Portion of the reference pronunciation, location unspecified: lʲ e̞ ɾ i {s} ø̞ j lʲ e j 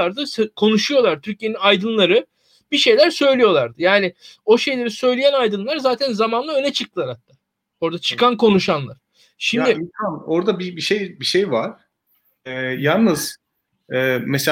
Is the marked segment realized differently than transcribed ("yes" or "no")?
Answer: no